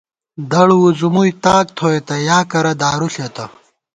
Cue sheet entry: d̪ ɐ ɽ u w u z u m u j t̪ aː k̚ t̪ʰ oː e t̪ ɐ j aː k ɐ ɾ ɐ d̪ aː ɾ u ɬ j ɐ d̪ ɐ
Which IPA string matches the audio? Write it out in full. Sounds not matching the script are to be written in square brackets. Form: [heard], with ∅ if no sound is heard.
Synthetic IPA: d̪ ɐ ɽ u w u z u m u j t̪ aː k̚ t̪ʰ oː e t̪ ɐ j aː k ɐ ɾ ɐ d̪ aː ɾ u ɬ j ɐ [t̪] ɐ